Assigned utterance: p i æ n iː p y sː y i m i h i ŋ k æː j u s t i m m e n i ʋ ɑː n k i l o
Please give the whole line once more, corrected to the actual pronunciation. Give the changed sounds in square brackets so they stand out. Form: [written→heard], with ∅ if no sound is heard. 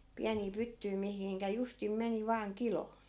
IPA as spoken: p i æ n iː p y [sː→tː] y i m i h i ŋ k [æː→æ] j u s t i m m e n i ʋ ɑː [n→ŋ] k i l o